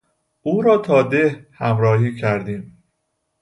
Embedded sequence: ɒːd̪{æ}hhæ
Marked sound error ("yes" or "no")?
yes